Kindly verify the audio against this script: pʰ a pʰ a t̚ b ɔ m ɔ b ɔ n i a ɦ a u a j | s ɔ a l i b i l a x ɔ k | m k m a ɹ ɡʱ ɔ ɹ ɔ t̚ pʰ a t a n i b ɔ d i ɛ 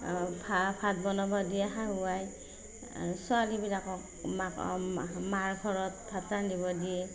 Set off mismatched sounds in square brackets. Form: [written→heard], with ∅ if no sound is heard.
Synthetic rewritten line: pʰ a pʰ a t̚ b ɔ [m→n] ɔ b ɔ [n→d] i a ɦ a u a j | s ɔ a l i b i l a [x→k] ɔ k | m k m a ɹ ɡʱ ɔ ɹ ɔ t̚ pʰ a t a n i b ɔ d i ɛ